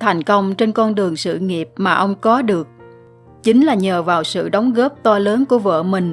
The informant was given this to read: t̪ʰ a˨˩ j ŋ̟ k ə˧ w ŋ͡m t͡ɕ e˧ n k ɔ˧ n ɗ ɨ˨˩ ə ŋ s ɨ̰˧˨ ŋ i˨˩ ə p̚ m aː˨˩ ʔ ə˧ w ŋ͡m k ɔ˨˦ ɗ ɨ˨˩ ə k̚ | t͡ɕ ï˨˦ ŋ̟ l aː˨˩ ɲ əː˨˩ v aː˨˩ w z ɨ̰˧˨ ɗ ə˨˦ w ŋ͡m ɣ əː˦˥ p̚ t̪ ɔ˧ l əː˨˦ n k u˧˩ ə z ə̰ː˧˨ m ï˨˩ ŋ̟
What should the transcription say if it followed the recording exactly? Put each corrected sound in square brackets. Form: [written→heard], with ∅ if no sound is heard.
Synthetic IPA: t̪ʰ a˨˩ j ŋ̟ k ə˧ w ŋ͡m t͡ɕ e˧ n k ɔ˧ n ɗ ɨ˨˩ ə ŋ s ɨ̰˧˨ ŋ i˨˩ ə p̚ m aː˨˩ ʔ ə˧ w ŋ͡m k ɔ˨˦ ɗ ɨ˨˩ ə k̚ | t͡ɕ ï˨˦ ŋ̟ l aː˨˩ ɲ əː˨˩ v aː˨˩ w [z→s] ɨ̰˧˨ ɗ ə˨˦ w ŋ͡m ɣ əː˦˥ p̚ t̪ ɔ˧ l əː˨˦ n k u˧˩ ə [z→v] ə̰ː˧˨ m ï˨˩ ŋ̟

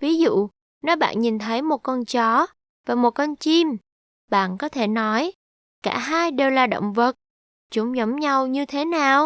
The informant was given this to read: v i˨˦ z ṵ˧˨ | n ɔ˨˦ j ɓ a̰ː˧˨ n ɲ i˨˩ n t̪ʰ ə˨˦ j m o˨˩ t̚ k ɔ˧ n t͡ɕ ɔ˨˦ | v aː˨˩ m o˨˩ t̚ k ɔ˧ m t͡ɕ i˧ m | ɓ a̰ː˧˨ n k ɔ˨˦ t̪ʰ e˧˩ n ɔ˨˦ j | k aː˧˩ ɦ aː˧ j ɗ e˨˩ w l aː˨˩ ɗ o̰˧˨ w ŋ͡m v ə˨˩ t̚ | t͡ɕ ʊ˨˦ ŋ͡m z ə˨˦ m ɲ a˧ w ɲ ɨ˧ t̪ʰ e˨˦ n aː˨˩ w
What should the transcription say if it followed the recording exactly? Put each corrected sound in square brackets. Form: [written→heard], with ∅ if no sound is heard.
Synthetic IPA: v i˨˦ z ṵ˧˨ | n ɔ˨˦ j ɓ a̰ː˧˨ n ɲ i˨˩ n t̪ʰ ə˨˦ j m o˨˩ t̚ k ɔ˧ n t͡ɕ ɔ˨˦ | v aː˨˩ m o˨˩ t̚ k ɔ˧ [m→n] t͡ɕ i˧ m | ɓ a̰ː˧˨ n k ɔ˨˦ t̪ʰ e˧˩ n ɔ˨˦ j | k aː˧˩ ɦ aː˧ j ɗ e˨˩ w l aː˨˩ ɗ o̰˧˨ w ŋ͡m v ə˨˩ t̚ | t͡ɕ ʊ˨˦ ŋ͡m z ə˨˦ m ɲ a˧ w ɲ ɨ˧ t̪ʰ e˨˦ n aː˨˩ w

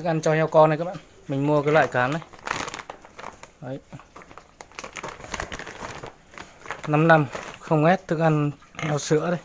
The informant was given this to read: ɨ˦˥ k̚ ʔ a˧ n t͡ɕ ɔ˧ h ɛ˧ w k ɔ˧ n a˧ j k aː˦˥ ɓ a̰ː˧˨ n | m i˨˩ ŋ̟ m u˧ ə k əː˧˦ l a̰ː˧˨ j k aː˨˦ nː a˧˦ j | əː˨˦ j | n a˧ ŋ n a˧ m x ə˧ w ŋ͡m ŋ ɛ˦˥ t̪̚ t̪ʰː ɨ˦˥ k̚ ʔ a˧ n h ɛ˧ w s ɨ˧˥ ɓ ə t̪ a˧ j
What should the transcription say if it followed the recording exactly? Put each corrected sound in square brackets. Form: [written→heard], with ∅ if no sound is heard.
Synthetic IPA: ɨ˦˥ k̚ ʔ a˧ n t͡ɕ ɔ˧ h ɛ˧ w k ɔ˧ n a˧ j k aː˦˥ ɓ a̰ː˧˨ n | m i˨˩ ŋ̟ m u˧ ə k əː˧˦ l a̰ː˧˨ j k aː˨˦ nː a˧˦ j | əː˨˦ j | n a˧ [ŋ→m] n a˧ m x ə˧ w ŋ͡m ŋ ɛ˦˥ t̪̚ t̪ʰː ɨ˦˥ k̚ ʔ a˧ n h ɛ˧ w s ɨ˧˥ [ɓ→∅] ə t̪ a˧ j

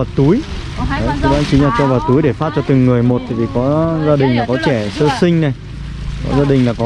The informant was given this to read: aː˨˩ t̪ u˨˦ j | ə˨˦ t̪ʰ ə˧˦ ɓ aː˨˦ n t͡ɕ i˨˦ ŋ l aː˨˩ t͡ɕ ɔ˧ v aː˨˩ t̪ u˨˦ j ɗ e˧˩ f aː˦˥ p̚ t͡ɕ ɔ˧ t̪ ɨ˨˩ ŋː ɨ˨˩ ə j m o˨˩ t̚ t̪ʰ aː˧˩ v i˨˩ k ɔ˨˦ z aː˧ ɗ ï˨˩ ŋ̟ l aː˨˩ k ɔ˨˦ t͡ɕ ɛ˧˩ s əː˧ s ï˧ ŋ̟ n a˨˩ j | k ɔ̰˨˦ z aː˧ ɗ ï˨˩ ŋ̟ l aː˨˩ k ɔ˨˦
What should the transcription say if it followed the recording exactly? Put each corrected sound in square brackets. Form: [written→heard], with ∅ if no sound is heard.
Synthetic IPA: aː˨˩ t̪ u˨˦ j | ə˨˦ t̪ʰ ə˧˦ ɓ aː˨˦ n t͡ɕ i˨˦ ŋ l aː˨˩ t͡ɕ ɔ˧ v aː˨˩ t̪ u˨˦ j ɗ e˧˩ f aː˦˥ [p̚→t̚] t͡ɕ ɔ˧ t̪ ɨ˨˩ ŋː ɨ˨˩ ə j m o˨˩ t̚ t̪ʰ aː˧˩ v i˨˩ k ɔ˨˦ z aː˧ ɗ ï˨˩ ŋ̟ l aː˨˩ k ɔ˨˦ t͡ɕ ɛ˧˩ s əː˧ s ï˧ ŋ̟ n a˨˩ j | k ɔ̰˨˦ z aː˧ ɗ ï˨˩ ŋ̟ l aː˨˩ k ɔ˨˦

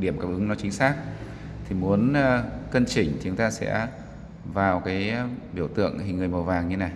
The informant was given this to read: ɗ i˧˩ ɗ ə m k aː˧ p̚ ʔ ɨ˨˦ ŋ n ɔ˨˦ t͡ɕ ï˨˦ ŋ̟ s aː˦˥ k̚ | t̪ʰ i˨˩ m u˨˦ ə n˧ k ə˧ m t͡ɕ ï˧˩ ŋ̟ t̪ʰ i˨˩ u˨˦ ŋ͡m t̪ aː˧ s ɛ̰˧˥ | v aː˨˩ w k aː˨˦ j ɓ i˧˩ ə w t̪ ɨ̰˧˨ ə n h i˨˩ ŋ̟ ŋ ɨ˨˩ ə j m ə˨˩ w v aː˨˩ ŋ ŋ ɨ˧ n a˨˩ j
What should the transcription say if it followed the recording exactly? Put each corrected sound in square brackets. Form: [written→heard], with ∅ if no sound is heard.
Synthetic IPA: ɗ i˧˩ [ɗ→∅] ə m k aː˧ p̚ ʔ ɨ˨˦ ŋ n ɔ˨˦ t͡ɕ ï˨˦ ŋ̟ s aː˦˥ k̚ | t̪ʰ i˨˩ m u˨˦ ə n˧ k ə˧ [m→n] t͡ɕ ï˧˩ ŋ̟ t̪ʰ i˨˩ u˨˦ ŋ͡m t̪ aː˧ s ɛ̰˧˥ | v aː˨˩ w k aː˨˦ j ɓ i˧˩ ə w t̪ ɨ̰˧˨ ə [n→ŋ] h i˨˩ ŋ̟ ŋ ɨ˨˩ ə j m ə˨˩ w v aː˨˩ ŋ [ŋ→ɲ] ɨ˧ n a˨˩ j

